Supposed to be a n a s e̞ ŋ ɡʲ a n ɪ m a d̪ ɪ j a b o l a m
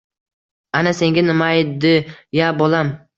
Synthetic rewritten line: a n a s e̞ ŋ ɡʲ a n ɪ m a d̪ ɪ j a b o l a m

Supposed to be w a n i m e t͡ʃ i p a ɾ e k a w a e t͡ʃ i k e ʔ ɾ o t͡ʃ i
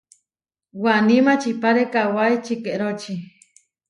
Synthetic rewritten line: w a n i m a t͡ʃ i p a ɾ e k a w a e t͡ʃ i k e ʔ ɾ o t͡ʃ i

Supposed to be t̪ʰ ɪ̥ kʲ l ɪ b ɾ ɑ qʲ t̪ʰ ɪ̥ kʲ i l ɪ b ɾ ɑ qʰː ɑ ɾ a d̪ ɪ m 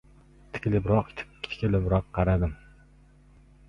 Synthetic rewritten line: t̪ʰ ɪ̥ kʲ l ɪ b ɾ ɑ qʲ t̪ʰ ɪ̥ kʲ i l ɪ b ɾ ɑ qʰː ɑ ɾ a d̪ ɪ m

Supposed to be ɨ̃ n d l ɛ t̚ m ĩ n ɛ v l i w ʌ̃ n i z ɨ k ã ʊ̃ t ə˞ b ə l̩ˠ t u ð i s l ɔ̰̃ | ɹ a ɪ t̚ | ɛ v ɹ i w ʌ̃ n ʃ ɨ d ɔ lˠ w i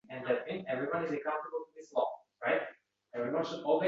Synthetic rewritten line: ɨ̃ n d l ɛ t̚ m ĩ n ɛ v ɹ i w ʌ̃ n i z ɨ k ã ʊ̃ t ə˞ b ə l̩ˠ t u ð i s l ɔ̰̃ | ɹ a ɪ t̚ | ɛ v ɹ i w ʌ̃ n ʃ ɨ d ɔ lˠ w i

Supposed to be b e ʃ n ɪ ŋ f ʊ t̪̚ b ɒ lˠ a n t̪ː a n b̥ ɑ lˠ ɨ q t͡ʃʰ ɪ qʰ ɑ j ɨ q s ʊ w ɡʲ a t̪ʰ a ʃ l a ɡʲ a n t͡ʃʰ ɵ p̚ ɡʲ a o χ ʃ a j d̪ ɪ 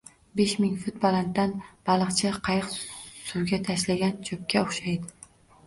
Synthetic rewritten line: b e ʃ m ɪ ŋ f ʊ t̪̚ b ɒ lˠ a n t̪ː a n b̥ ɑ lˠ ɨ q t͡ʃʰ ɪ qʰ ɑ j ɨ q s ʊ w ɡʲ a t̪ʰ a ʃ l a ɡʲ a n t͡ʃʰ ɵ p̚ kʲ a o χ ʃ a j d̪ ɪ

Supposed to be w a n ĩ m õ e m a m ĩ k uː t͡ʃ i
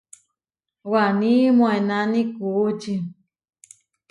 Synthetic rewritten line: w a n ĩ m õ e n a n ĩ k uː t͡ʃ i

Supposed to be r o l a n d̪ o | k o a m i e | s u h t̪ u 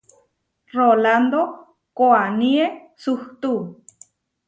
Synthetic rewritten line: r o l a n d̪ o | k o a n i e | s u h t̪ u

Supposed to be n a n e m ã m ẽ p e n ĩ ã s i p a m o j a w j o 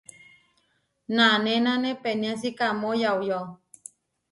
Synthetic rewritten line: n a n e n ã n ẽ p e n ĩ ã s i k a m o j a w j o

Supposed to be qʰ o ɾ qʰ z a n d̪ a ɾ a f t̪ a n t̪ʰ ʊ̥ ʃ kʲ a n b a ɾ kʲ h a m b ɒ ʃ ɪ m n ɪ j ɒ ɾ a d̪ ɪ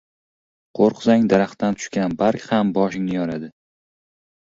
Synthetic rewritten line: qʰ o ɾ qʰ z a ŋ d̪ a ɾ a χ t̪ a n t̪ʰ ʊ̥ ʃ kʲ a n b a ɾ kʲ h a m b ɒ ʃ ɪ ŋ n ɪ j ɒ ɾ a d̪ ɪ

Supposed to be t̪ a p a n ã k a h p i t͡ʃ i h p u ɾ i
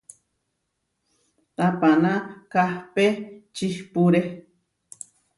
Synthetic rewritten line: t̪ a p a n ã k a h p e t͡ʃ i h p u ɾ e

